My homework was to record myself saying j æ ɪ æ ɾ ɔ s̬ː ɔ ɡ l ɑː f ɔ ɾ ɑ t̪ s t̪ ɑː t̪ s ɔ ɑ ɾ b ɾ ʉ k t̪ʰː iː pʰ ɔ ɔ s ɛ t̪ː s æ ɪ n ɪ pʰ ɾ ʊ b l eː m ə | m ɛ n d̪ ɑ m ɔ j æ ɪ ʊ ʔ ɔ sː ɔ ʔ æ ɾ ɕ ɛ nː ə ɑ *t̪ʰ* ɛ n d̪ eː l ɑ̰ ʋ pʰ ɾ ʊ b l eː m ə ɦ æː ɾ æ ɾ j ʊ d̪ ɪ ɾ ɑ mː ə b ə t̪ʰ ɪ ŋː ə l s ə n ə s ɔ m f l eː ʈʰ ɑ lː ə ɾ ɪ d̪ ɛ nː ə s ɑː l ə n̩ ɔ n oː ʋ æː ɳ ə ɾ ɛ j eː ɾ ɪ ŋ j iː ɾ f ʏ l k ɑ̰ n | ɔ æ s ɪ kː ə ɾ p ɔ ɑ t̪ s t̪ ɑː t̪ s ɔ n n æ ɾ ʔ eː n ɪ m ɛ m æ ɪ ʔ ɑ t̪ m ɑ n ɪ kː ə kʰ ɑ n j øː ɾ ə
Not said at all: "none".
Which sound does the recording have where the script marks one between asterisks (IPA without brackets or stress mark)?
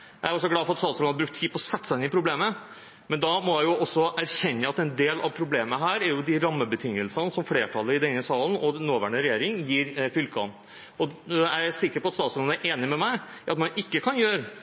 t̪